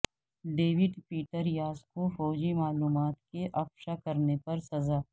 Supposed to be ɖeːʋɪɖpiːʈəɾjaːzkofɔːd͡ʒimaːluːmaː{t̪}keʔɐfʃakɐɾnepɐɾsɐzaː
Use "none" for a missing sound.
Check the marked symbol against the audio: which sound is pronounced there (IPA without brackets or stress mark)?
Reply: t̪